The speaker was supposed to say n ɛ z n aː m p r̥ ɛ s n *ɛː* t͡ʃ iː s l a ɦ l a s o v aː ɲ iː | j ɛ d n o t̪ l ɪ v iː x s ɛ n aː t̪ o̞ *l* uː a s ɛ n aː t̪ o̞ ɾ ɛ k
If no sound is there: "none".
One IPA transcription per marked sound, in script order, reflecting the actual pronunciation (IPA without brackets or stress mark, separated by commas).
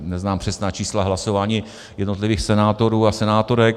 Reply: aː, ɾ